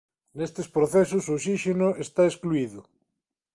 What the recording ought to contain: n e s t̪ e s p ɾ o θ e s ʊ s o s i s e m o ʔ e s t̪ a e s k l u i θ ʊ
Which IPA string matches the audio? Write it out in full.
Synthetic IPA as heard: n e s t̪ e s p ɾ o θ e s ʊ s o s i ʃ e n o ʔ e s t̪ a e s k l u i ð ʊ